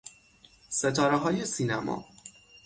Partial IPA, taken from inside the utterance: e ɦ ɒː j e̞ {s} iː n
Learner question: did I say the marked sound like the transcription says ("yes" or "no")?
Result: yes